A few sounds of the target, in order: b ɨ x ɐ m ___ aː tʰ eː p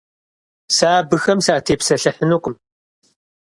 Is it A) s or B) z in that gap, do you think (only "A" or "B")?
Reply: A